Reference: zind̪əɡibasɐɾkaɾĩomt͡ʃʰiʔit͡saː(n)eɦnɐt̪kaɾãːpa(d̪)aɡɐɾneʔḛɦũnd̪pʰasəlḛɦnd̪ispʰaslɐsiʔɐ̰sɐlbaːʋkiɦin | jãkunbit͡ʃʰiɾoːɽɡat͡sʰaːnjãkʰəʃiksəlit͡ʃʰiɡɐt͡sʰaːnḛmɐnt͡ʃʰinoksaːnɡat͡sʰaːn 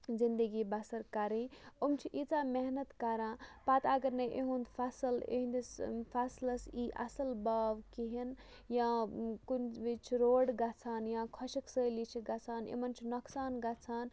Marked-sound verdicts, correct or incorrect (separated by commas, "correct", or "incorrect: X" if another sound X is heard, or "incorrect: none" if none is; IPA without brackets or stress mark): incorrect: m, incorrect: t̪